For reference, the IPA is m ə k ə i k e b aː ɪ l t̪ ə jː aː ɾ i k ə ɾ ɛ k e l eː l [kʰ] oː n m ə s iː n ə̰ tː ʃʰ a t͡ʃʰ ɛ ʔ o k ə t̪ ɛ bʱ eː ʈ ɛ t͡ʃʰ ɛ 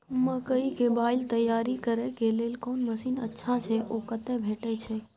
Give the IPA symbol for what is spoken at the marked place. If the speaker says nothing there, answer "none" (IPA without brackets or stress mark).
k